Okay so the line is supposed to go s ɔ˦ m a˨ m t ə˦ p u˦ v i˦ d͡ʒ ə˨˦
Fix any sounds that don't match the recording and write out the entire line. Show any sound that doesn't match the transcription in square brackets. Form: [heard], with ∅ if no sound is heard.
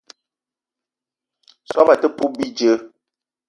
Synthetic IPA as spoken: s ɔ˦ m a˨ [∅] t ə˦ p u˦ [b] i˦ d͡ʒ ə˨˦